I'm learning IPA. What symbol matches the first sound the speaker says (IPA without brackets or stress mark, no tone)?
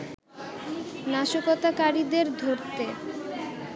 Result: n